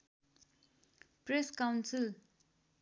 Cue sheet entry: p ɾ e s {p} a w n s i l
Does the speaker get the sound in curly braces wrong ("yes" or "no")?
yes